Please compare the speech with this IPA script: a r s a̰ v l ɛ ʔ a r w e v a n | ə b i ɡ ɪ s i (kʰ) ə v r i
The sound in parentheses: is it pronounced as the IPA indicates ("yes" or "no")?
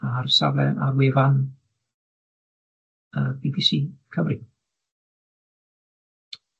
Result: yes